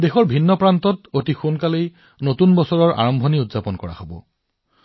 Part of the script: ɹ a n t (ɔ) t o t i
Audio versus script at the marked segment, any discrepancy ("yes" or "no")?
no